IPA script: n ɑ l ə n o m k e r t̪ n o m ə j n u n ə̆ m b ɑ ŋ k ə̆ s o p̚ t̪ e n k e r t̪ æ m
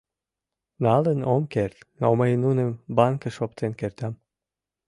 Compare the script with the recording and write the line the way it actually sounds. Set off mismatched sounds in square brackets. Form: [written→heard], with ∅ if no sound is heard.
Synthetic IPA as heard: n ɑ l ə n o m k e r t̪ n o m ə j n u n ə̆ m b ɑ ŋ k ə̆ [s→ʃ] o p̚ t̪ e n k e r t̪ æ m